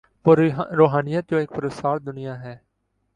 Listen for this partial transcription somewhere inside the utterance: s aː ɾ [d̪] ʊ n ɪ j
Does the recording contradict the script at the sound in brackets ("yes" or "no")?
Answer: no